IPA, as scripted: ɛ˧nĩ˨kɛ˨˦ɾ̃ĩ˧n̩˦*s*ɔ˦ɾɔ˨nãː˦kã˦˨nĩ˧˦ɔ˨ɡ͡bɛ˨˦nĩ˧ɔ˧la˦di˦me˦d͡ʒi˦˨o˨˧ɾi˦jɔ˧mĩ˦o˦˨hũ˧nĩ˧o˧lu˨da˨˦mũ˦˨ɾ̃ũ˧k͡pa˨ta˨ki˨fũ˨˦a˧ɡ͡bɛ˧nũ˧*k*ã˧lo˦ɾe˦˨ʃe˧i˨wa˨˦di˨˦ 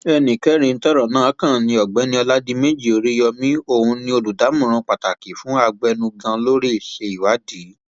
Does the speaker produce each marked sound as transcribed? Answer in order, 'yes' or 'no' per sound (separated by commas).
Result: no, no